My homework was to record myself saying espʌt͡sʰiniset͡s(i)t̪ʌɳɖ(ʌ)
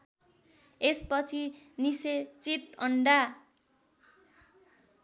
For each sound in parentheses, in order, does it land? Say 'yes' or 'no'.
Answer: yes, no

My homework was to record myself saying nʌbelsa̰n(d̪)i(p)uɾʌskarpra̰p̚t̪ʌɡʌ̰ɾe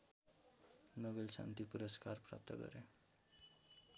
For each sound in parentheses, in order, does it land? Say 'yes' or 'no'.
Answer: no, yes

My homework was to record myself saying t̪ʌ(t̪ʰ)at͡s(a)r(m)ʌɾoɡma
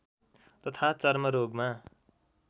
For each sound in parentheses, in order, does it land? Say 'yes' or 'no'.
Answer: yes, no, yes

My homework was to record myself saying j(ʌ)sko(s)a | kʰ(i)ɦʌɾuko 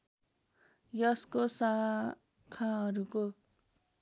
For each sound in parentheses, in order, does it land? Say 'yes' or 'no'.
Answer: yes, yes, no

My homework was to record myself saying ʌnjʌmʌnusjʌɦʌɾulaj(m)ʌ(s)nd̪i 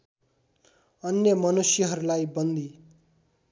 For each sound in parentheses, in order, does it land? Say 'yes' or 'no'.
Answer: no, no

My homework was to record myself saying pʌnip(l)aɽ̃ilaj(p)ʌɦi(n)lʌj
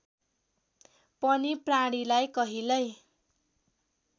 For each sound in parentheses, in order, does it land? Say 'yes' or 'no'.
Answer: no, no, no

